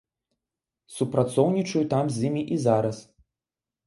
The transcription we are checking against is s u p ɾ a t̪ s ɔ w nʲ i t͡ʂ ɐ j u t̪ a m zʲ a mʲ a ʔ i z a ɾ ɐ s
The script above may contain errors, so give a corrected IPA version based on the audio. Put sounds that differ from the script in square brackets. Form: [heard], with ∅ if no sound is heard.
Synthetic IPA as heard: s u p ɾ a t̪ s ɔ w nʲ i t͡ʂ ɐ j u t̪ a m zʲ [i] mʲ [i] ʔ i z a ɾ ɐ s